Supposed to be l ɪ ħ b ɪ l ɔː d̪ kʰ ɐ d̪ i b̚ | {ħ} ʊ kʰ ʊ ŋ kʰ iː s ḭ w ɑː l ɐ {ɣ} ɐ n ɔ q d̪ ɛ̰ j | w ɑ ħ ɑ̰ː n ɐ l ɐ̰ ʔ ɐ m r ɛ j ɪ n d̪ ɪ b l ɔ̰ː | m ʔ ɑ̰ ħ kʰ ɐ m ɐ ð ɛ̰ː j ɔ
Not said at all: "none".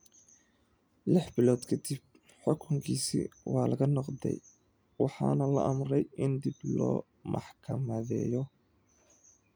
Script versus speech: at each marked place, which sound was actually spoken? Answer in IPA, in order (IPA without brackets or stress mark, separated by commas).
ħ, ɣ